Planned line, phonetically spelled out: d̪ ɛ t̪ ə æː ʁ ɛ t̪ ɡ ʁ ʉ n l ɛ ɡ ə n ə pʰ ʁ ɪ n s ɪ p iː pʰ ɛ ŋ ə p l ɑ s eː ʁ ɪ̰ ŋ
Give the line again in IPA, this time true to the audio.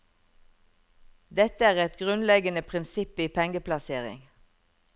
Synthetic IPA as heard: d̪ ɛ t̪ ə æː ʁ ɛ t̪ ɡ ʁ ʉ n l ɛ ɡ ə n ə pʰ ʁ ɪ n s ɪ p iː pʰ ɛ ŋ ə p l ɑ s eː ʁ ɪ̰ ŋ